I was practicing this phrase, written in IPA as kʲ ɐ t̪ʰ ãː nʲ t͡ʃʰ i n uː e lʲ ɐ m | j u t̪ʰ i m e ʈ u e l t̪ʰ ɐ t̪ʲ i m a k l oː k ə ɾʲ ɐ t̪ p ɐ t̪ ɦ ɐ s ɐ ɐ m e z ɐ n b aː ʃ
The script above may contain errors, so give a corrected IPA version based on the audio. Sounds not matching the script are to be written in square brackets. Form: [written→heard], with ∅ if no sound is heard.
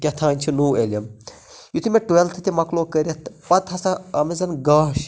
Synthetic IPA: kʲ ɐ t̪ʰ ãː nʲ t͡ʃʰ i n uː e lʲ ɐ m | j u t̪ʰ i m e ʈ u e l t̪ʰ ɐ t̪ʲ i m [a→ɐ] k l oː k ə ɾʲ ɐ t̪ p ɐ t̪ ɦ ɐ s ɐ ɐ m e z ɐ n [b→ɡ] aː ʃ

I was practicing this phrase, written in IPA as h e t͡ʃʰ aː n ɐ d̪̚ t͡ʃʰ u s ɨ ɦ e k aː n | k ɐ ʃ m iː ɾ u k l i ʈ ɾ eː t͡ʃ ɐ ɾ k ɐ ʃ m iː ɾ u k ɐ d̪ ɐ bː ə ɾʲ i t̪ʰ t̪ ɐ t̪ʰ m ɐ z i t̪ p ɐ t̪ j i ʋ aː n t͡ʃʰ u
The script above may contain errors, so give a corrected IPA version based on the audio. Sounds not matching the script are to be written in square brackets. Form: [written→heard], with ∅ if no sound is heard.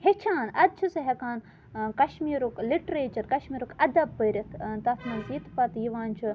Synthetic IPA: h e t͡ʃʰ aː n ɐ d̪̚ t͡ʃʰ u s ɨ ɦ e k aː n | k ɐ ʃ m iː ɾ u k l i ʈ ɾ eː t͡ʃ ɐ ɾ k ɐ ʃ m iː ɾ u k ɐ d̪ ɐ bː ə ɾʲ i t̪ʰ t̪ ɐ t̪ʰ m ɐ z i t̪ p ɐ t̪ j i ʋ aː n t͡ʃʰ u

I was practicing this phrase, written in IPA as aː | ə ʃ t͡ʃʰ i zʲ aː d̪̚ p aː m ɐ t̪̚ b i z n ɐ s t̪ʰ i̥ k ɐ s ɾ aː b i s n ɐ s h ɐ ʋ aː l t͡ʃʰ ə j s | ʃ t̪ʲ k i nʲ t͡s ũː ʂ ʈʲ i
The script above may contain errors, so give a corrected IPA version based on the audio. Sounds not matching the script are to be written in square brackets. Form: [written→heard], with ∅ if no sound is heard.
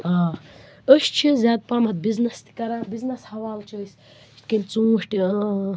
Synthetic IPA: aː | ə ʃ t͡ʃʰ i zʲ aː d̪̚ p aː m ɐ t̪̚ b i z n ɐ s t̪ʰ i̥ k ɐ [s→∅] ɾ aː b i [s→z] n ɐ s h ɐ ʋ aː l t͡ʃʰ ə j s | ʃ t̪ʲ k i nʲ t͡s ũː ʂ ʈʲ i

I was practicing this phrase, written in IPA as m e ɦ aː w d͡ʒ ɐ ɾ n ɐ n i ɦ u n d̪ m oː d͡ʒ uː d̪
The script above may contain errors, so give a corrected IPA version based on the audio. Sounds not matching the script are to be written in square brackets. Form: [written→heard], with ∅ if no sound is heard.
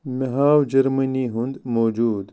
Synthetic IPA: m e ɦ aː w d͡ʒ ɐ ɾ [n→m] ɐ n i ɦ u n d̪ m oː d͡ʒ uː d̪

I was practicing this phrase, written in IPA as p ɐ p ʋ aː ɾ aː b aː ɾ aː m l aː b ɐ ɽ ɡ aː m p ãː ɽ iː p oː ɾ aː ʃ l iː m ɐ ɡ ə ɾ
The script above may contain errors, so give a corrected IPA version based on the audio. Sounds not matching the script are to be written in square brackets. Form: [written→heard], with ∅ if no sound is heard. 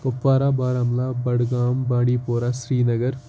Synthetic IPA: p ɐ p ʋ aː ɾ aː b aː ɾ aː m l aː b ɐ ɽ ɡ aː m [p→b] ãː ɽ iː p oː ɾ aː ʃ [l→ɾ] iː [m→n] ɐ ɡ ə ɾ

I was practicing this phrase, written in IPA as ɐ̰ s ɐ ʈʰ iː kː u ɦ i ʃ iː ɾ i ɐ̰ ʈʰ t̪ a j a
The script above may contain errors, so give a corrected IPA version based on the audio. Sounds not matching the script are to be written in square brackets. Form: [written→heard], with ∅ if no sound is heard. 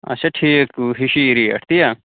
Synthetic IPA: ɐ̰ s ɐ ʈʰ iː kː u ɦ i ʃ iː ɾ i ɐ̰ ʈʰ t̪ [a→i] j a

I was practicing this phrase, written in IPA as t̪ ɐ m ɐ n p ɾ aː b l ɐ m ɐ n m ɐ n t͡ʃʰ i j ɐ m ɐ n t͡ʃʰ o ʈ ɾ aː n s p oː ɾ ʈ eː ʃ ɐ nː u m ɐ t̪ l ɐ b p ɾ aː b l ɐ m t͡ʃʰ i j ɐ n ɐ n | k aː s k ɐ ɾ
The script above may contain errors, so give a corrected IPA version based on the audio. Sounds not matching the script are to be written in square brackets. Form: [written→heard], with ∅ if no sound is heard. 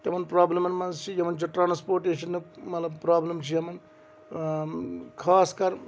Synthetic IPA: t̪ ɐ m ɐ n p ɾ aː b l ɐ m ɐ n m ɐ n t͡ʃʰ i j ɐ m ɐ n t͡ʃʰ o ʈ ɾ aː n s p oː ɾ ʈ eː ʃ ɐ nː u m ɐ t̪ l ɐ b p ɾ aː b l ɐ m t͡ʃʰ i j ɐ [n→m] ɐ n | [k→kʰ] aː s k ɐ ɾ

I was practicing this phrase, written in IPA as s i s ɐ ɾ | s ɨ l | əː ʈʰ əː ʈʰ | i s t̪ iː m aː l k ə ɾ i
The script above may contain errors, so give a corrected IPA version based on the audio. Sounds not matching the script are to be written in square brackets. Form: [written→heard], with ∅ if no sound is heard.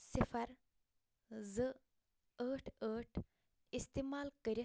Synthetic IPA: s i [s→f] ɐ ɾ | [s→z] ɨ [l→∅] | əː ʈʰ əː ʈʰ | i s t̪ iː m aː l k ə ɾ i

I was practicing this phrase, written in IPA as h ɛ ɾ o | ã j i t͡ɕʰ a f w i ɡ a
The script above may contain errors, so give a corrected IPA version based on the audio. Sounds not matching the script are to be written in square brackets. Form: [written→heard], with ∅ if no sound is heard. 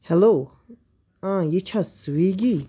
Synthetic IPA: h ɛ [ɾ→l] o | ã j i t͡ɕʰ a [f→s] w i ɡ [a→i]

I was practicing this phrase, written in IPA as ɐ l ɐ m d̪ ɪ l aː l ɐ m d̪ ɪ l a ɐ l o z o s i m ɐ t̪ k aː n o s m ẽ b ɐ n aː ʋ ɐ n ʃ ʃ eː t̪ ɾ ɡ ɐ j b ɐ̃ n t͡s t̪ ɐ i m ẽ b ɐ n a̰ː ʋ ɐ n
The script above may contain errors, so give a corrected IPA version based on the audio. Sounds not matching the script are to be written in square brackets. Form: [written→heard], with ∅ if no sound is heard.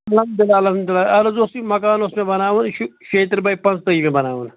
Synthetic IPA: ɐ l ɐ m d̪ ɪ l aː l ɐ m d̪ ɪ l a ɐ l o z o s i m ɐ [t̪→∅] k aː n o s m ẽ b ɐ n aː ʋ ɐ n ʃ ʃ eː t̪ ɾ [ɡ→b] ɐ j [b→p] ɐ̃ n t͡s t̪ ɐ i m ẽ b ɐ n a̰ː ʋ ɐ n

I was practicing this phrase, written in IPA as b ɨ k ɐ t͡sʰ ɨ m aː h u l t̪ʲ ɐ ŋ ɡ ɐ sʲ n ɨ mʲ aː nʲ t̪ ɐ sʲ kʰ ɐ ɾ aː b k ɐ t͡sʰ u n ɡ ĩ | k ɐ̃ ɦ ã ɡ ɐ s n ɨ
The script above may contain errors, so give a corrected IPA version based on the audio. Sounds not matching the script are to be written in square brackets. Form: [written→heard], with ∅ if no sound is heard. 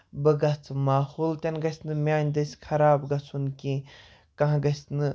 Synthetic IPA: b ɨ [k→ɡ] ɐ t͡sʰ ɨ m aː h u l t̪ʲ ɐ [ŋ→n] ɡ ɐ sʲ n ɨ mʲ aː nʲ [t̪→d̪] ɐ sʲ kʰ ɐ ɾ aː b [k→ɡ] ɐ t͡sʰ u n [ɡ→k] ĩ | k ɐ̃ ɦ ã ɡ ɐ s n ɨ

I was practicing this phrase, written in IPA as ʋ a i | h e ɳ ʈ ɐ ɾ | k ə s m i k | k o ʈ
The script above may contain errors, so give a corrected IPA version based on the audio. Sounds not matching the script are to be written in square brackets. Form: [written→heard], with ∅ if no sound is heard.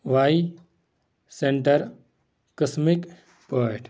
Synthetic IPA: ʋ a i | [h→s] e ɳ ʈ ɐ ɾ | k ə s m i k | [k→p] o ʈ

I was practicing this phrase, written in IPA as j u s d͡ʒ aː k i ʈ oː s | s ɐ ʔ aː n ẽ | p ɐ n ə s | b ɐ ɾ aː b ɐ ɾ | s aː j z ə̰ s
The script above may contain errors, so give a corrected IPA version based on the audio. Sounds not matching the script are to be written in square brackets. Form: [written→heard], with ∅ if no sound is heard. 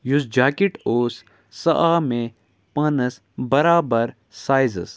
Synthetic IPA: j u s d͡ʒ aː k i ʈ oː s | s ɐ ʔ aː [n→m] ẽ | p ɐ n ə s | b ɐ ɾ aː b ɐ ɾ | s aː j z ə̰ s

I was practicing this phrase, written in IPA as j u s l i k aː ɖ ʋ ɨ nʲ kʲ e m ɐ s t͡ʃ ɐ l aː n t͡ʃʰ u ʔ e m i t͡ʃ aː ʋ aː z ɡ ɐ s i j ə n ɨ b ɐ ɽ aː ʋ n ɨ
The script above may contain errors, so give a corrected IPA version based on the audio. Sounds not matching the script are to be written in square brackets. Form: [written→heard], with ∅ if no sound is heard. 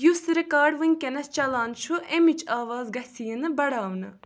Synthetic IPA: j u s [l→ɾ] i k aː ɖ ʋ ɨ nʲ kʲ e [m→n] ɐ s t͡ʃ ɐ l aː n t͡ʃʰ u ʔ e m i t͡ʃ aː ʋ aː z ɡ ɐ s i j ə n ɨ b ɐ ɽ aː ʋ n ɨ

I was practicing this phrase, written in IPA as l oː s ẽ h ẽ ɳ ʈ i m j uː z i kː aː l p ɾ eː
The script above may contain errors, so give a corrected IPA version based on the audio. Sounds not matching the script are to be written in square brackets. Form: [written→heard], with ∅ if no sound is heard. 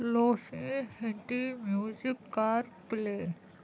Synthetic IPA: l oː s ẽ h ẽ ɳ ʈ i m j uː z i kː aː [l→ɾ] p [ɾ→l] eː

